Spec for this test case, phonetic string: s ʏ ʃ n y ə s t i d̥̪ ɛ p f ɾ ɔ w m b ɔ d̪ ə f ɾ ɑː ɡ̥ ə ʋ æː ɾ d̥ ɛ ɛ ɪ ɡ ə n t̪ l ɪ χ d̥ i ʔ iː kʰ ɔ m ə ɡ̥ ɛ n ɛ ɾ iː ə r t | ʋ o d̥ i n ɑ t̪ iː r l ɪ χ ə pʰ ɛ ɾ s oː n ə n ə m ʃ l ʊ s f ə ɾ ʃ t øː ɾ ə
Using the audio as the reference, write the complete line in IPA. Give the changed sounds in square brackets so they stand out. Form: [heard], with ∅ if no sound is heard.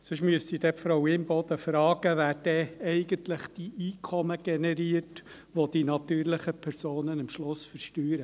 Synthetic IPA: s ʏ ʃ [m] y ə s t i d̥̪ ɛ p f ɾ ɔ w m b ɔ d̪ ə f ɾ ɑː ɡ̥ ə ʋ æː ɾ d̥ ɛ ɛ ɪ ɡ ə n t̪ l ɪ χ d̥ i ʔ iː kʰ ɔ m ə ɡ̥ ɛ n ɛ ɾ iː ə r t | ʋ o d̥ i n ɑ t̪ [yː] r l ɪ χ ə pʰ ɛ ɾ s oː n ə n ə m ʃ l ʊ s f ə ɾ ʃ t [yː] ɾ ə